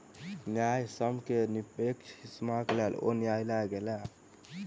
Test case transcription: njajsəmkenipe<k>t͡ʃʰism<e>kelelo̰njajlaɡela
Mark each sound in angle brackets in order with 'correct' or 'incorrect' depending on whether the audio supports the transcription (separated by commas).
correct, incorrect